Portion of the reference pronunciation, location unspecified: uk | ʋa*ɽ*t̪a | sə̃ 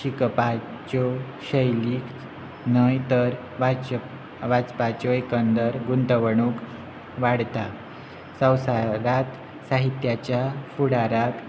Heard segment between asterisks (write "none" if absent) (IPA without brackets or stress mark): ɽ